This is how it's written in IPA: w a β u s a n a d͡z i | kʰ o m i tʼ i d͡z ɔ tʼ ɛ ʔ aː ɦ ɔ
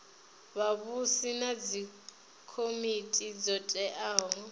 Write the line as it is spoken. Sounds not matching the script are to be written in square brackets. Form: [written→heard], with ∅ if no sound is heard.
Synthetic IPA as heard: [w→β] a β u s [a→i] n a d͡z i | kʰ o m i tʼ i d͡z ɔ tʼ ɛ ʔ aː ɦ ɔ